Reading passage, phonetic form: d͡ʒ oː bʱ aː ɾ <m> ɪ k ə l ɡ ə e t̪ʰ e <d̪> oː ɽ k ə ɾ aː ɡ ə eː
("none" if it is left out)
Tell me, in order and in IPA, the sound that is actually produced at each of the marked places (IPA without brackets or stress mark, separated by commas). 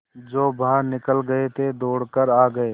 n, d̪